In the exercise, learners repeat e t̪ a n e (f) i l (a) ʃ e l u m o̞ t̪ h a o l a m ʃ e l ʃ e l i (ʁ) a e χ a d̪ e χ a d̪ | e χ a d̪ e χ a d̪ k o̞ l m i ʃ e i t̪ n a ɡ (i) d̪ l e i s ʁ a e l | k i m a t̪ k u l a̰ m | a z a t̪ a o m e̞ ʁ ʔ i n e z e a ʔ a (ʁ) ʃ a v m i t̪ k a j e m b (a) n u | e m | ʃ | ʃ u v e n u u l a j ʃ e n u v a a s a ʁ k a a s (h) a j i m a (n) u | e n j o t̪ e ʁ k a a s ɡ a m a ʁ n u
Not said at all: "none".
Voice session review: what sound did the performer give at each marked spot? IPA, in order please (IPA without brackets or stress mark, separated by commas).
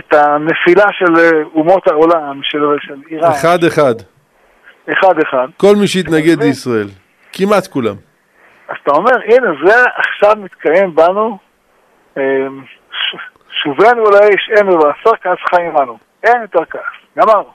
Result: f, a, ʁ, e, χ, a, χ, n